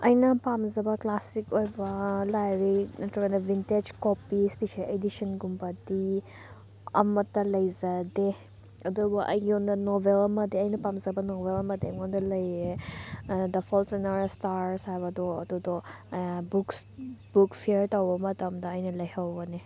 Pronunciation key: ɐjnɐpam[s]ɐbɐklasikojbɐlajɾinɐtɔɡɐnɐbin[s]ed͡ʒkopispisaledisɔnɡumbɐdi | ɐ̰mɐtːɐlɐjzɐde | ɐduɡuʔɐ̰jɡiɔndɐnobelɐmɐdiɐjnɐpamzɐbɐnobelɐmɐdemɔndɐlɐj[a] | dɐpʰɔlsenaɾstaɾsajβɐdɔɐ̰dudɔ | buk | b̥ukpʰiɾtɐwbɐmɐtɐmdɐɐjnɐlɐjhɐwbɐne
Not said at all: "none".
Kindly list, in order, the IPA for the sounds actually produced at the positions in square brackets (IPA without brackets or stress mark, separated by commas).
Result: z, t, e